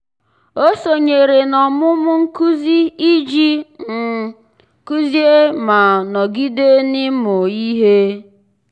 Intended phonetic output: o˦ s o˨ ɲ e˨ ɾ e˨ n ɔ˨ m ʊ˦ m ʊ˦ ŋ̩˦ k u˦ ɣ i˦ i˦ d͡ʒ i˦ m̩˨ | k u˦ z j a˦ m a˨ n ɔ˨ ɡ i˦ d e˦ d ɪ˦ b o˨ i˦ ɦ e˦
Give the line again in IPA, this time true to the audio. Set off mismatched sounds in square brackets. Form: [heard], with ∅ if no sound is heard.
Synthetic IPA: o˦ s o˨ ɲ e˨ ɾ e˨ n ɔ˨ m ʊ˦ m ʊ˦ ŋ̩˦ k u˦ [z] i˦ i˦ d͡ʒ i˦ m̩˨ | k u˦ z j [e˦] m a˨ n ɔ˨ ɡ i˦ d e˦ [n] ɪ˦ [m] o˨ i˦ ɦ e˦